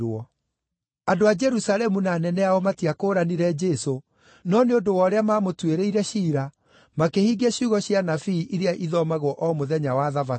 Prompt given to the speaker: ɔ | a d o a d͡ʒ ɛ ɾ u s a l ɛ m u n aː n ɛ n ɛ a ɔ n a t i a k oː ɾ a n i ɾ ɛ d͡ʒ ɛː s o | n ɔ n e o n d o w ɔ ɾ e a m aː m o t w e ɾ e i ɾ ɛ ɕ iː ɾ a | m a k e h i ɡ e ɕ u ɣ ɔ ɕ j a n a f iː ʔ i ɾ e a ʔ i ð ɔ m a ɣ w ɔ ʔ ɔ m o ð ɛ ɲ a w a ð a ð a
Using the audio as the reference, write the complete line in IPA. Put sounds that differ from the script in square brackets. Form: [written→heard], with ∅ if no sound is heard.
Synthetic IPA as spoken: ɔ | a d o a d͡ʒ ɛ ɾ u s a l ɛ m u n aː n ɛ n ɛ a ɔ [n→m] a t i a k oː ɾ a n i ɾ ɛ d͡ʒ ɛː s o | n ɔ n e o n d o w ɔ ɾ e a m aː m o t w e ɾ e i ɾ ɛ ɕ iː ɾ a | m a k e h i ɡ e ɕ u ɣ ɔ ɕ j a n a f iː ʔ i ɾ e a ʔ i ð ɔ m a ɣ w ɔ ʔ ɔ m o ð ɛ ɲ a w a ð a [ð→v] a